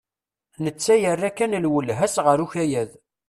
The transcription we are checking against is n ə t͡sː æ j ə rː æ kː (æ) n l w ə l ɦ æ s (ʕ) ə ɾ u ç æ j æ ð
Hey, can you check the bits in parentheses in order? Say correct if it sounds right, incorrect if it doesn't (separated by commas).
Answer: correct, incorrect